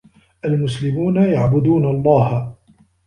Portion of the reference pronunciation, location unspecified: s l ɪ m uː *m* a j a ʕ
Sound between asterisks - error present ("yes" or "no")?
yes